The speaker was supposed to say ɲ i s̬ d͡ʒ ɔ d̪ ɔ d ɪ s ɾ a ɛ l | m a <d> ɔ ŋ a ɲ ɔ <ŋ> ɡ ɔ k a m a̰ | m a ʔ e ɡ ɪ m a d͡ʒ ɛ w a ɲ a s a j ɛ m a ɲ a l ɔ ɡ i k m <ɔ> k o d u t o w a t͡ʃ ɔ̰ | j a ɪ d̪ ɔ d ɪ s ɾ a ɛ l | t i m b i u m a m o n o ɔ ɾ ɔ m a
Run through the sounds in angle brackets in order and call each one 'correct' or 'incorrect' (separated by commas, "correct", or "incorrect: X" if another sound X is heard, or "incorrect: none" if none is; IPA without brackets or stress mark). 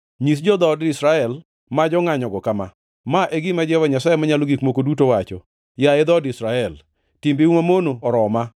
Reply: incorrect: d͡ʒ, incorrect: none, incorrect: o